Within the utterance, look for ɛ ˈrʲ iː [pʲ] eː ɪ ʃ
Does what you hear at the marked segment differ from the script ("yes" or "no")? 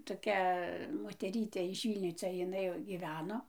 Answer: yes